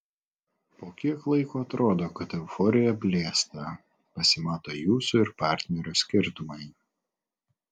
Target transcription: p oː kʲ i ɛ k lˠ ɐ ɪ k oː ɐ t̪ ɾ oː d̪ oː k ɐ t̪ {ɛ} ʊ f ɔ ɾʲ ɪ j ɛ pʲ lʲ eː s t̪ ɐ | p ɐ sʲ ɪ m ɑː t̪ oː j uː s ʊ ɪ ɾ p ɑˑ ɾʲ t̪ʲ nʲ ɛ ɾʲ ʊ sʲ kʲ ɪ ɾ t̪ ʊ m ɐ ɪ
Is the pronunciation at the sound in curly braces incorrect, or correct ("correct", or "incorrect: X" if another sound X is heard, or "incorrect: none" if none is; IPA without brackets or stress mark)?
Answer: correct